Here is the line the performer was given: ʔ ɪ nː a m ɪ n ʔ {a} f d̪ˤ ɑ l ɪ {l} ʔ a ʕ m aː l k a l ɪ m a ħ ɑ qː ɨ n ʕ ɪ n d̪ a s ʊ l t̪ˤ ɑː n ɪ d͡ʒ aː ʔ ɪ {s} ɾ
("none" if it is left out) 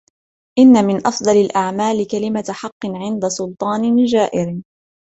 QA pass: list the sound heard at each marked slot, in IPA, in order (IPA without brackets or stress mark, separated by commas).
ɑ, l, none